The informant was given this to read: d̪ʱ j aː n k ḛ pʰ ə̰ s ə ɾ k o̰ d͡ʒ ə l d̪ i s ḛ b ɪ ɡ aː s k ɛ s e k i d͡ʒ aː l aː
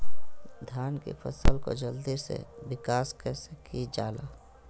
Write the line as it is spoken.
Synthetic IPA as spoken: d̪ʱ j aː n k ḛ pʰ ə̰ s ə l k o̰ d͡ʒ ə l d̪ i s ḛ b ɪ k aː s k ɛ s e k i d͡ʒ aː l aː